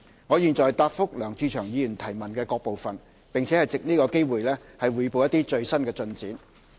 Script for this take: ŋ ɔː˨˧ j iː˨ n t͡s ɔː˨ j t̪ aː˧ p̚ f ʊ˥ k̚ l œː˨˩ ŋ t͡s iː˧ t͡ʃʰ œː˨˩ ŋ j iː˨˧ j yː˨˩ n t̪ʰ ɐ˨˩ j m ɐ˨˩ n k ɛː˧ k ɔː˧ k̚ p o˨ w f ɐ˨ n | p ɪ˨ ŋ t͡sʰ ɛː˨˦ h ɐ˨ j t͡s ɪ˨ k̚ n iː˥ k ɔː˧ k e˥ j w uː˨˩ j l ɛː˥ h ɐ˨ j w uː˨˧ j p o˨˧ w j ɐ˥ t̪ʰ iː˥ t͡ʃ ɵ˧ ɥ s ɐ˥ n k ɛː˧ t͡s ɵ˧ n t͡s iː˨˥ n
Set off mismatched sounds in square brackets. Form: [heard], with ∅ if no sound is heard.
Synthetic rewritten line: ŋ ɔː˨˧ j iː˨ n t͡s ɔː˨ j t̪ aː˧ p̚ f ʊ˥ k̚ l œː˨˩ ŋ t͡s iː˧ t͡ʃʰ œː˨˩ ŋ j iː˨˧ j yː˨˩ n t̪ʰ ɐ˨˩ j m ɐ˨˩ n k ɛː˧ k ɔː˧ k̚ p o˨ w f ɐ˨ n | p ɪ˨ ŋ t͡sʰ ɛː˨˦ h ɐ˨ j t͡s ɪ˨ k̚ n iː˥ k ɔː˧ k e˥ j w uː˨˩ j l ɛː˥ h ɐ˨ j w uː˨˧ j p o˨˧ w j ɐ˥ [t̪] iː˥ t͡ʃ ɵ˧ ɥ s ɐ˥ n k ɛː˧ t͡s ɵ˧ n t͡s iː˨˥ n